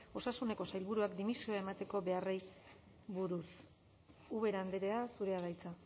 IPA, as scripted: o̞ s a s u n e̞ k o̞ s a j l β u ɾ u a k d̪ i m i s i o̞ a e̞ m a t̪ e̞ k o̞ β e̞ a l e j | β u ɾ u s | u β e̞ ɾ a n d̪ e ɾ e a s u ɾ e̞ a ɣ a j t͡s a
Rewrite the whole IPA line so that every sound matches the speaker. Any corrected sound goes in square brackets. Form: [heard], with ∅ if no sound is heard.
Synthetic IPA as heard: o̞ s a s u n e̞ k o̞ s a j l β u ɾ u a k d̪ i m i s i o̞ a e̞ m a t̪ e̞ k o̞ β e̞ a [r] e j | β u ɾ u s | u β e̞ ɾ a n d̪ e ɾ e a s u ɾ e̞ a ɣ a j t͡s a

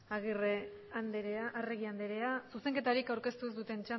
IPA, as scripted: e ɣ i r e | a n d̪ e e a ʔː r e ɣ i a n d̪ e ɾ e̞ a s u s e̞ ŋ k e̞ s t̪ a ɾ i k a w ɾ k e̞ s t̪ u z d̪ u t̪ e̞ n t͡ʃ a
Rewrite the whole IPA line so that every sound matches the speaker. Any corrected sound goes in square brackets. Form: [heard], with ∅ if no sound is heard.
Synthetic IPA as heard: [a] ɣ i r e | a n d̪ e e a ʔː r e ɣ i a n d̪ e ɾ e̞ a s u s e̞ ŋ k e̞ [∅] t̪ a ɾ i k a w ɾ k e̞ s t̪ u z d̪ u t̪ e̞ n t͡ʃ a

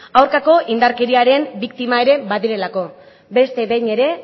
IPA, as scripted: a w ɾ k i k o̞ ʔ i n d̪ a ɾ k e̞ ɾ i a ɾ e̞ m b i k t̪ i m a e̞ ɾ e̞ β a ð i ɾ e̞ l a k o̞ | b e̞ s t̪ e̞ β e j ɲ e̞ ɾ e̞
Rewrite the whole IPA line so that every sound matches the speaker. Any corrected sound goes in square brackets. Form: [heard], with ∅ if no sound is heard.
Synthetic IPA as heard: a w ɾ k [a] k o̞ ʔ i n d̪ a ɾ k e̞ ɾ i a ɾ e̞ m b i k t̪ i m a e̞ ɾ e̞ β a ð i ɾ e̞ l a k o̞ | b e̞ s t̪ e̞ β e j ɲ e̞ ɾ e̞

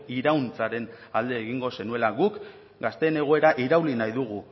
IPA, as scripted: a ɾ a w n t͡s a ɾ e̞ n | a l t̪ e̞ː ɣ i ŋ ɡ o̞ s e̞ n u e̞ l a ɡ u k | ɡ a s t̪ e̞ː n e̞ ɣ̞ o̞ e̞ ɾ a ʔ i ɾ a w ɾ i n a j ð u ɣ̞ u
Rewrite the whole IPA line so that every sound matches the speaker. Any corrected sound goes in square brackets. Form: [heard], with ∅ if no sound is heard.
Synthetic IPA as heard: [i] ɾ a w n t͡s a ɾ e̞ n | a l [d̪] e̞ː ɣ i ŋ ɡ o̞ s e̞ n u e̞ l a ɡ u k | ɡ a s t̪ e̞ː n e̞ ɣ̞ o̞ e̞ ɾ a ʔ i ɾ a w [l] i n a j ð u ɣ̞ u

